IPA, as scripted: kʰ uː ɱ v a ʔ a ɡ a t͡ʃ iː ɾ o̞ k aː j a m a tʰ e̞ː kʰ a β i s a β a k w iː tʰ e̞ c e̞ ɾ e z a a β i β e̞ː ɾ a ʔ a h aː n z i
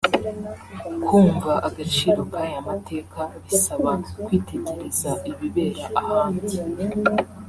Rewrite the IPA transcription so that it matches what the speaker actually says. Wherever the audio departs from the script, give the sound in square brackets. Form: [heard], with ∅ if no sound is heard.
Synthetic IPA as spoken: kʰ uː ɱ v a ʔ a ɡ a t͡ʃ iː ɾ o̞ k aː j a m a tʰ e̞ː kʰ a β i s a β a k w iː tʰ e̞ [ɟ] e̞ ɾ e z a [i] β i β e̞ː ɾ a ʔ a h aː n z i